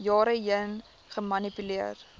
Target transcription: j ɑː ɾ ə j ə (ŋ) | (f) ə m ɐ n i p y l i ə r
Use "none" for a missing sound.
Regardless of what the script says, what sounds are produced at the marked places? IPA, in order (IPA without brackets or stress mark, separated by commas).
n, χ